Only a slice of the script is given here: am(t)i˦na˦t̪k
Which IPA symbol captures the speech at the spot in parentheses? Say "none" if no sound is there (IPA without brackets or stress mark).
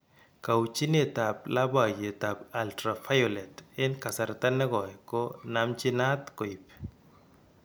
t͡ʃ